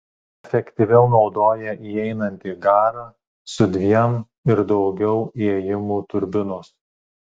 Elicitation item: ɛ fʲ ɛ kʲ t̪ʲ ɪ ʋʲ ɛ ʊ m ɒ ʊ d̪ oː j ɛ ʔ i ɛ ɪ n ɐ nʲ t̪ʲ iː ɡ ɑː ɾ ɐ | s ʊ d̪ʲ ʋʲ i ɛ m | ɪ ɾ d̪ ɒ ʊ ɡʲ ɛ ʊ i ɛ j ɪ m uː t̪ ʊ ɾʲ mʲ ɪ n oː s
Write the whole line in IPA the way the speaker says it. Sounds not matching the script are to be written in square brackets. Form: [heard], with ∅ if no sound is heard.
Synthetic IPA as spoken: ɛ fʲ ɛ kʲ t̪ʲ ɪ ʋʲ ɛ ʊ [n] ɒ ʊ d̪ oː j ɛ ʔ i ɛ ɪ n ɐ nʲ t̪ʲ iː ɡ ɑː ɾ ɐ | s ʊ d̪ʲ ʋʲ i ɛ m | ɪ ɾ d̪ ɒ ʊ ɡʲ ɛ ʊ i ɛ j ɪ m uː t̪ ʊ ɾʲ [bʲ] ɪ n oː s